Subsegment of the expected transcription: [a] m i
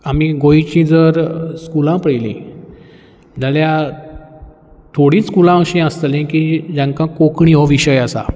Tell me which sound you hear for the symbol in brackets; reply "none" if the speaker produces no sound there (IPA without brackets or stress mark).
a